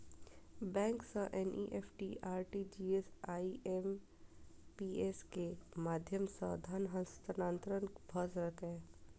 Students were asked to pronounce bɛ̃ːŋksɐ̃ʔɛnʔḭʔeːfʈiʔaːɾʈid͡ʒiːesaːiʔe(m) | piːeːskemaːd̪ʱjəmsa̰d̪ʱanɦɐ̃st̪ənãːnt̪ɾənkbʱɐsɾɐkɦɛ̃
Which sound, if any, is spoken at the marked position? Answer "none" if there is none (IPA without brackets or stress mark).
m